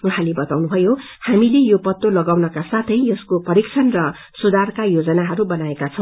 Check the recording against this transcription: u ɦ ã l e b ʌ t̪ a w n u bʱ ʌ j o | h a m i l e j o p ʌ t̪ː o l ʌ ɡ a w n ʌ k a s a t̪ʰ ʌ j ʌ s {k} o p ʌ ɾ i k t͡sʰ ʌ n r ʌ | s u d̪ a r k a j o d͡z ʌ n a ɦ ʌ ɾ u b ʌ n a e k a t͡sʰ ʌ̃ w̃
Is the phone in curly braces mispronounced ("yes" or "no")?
no